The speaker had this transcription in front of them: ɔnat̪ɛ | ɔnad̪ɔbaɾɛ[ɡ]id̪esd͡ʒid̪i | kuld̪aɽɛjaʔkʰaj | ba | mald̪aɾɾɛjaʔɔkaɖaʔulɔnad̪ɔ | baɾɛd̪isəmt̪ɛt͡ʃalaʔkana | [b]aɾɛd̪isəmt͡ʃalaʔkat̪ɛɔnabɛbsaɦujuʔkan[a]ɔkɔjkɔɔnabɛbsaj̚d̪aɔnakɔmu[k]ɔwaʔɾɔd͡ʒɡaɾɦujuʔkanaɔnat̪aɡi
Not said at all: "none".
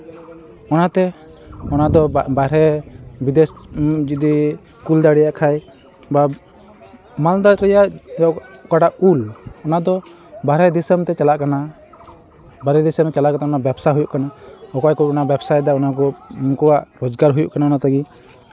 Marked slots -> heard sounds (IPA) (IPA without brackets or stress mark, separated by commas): b, b, a, k